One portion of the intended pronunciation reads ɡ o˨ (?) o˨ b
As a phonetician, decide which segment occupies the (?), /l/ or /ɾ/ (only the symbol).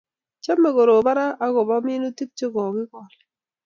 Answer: ɾ